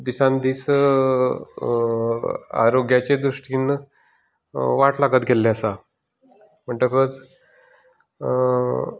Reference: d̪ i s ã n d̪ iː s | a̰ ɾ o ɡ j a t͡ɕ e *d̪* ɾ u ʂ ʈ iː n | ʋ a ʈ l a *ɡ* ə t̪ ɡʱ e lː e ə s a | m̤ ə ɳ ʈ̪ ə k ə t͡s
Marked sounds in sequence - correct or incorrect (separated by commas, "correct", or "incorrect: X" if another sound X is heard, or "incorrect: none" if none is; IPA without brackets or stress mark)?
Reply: correct, correct